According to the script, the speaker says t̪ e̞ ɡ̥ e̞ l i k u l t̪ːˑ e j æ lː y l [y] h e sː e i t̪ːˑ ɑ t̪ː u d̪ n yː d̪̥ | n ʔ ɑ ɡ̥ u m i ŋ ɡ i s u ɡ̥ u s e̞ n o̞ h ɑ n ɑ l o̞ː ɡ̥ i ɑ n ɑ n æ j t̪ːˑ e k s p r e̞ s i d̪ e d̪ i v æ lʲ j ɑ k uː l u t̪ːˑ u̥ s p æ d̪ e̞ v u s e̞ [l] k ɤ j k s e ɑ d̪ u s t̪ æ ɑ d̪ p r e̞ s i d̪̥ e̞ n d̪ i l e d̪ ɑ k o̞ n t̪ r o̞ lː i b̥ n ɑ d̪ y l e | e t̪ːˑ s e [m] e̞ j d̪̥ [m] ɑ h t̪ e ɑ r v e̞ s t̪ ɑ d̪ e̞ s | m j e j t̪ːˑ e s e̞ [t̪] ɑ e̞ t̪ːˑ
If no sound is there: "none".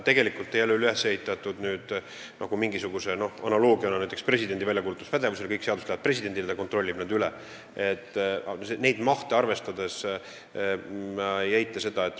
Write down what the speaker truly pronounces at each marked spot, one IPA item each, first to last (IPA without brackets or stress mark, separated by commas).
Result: y, l, n, m, d̪